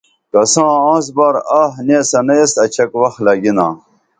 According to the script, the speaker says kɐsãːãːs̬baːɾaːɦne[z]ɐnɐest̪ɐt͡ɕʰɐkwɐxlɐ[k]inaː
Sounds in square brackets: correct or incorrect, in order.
incorrect: s, incorrect: ɡ

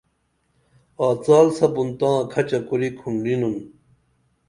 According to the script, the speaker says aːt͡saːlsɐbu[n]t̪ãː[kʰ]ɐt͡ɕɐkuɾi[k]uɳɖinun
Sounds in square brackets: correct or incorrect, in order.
correct, correct, incorrect: kʰ

